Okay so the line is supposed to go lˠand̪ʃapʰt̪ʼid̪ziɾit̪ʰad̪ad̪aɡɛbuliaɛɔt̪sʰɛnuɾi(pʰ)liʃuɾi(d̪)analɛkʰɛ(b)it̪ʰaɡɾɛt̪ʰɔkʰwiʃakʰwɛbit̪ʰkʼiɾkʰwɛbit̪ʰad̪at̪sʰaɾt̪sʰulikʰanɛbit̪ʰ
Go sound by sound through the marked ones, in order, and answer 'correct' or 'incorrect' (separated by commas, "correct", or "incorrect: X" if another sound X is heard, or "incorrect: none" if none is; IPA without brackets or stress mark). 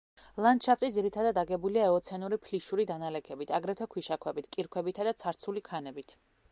correct, correct, correct